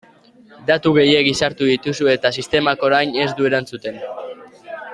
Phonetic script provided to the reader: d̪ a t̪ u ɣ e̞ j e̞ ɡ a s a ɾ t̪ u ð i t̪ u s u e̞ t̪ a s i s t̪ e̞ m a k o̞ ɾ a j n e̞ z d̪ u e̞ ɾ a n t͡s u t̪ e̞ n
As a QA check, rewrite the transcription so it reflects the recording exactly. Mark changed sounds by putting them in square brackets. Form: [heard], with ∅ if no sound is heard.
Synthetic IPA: d̪ a t̪ u ɣ e̞ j e̞ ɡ [i] s a ɾ t̪ u ð i t̪ u s u e̞ t̪ a s i s t̪ e̞ m a k o̞ ɾ a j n e̞ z d̪ u e̞ ɾ a n t͡s u t̪ e̞ n